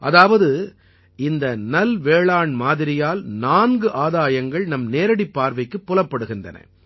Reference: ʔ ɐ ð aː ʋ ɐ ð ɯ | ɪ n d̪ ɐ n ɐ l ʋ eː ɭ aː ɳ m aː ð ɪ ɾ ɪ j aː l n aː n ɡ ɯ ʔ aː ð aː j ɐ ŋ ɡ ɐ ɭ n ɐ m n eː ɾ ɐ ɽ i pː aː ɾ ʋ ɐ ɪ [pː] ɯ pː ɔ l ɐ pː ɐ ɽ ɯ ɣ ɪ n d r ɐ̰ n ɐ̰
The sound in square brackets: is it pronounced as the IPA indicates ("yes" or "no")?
no